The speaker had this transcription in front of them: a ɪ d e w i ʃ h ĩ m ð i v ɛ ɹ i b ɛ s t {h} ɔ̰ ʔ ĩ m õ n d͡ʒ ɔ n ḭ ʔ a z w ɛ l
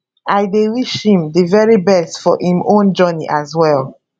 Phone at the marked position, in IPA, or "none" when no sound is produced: f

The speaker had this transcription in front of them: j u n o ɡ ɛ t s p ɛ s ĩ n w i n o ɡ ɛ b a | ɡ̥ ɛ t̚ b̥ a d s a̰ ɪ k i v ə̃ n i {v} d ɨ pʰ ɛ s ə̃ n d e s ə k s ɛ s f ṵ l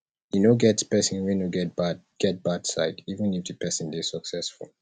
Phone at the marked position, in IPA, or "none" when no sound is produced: f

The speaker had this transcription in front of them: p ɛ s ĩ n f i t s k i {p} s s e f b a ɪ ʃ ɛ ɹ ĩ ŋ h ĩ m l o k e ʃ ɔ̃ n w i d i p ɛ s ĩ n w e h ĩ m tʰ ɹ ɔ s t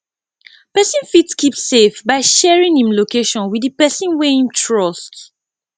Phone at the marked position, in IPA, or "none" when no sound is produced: p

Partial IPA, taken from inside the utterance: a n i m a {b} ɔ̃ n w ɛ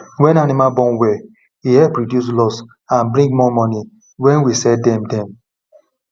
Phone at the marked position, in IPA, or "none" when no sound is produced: b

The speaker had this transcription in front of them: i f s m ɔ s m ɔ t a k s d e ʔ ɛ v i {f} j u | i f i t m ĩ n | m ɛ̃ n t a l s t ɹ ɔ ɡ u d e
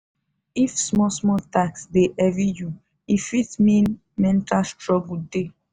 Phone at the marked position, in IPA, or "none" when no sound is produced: none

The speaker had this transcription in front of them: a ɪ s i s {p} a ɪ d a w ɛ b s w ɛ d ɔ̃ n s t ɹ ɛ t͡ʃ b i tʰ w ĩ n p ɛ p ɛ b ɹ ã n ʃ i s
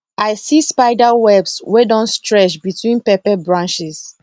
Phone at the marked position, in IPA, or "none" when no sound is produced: p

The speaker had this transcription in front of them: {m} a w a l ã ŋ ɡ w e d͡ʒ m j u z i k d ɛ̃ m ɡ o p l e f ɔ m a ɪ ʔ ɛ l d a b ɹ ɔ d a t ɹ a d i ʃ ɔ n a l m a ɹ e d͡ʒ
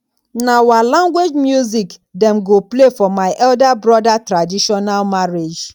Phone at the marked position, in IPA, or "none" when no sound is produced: n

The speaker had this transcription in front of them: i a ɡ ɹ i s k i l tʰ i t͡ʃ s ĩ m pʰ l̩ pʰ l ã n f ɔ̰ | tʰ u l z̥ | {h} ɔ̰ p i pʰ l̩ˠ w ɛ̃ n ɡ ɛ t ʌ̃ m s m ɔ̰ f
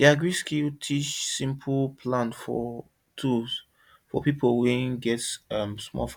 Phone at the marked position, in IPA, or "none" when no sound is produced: f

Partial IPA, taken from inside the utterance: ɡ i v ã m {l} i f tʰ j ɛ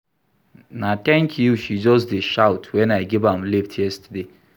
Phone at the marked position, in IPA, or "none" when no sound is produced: l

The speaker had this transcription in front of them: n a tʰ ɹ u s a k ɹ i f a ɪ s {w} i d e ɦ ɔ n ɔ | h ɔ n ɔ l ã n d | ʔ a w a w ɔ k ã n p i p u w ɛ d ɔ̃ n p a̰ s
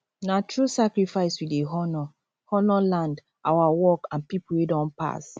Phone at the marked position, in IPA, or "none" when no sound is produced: w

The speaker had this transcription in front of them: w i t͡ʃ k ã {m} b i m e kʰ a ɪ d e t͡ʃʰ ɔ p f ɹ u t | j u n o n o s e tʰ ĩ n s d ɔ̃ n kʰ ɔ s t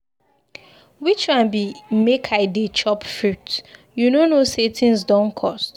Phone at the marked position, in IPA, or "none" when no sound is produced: n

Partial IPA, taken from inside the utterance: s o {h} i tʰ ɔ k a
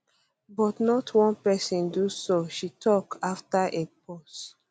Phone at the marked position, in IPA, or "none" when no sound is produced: ʃ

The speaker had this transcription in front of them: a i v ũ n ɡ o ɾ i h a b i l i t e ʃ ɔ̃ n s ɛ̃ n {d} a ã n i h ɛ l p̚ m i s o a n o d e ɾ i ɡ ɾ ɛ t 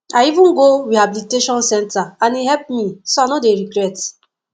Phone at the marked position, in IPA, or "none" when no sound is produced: t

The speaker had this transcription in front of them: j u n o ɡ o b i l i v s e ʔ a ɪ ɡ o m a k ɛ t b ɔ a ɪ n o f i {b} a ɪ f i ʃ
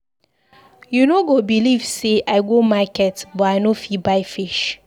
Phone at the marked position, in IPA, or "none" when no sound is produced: b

